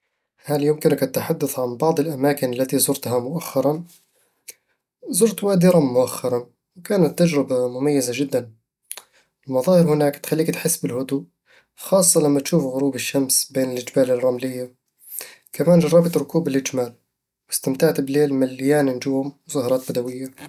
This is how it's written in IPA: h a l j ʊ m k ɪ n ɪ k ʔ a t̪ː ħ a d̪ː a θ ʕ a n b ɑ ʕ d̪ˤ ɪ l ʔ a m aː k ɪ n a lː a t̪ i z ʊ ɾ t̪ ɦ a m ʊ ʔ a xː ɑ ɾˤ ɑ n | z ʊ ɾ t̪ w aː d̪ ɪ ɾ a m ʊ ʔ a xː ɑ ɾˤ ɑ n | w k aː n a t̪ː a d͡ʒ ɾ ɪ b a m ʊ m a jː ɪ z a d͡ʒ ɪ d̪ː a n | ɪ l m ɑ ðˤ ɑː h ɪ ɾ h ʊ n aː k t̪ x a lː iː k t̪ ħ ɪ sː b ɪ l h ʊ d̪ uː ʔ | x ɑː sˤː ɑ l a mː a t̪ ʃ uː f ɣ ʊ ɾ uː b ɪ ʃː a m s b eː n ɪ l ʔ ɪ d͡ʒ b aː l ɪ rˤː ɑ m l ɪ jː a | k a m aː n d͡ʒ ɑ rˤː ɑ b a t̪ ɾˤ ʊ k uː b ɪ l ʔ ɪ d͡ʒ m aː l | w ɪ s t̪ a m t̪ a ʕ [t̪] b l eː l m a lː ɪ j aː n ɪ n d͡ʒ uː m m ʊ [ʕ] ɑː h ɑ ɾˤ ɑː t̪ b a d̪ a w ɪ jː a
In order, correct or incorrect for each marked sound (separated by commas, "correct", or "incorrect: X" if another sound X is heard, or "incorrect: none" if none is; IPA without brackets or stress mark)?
correct, incorrect: z